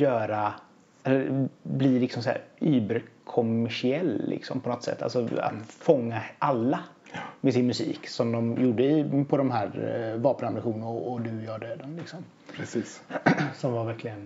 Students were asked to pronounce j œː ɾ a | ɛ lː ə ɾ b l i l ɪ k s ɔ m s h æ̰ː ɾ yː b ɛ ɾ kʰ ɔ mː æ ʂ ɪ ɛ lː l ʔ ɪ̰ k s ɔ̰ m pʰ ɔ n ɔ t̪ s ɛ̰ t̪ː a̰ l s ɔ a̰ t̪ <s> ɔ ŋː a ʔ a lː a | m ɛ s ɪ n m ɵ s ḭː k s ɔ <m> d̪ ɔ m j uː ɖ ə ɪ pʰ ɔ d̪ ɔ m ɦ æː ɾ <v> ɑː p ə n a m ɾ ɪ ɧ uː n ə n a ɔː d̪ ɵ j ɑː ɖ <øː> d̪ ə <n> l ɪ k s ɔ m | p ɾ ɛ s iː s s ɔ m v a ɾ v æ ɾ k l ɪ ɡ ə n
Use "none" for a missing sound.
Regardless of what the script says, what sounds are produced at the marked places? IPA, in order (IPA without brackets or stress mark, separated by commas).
f, m, v, øː, n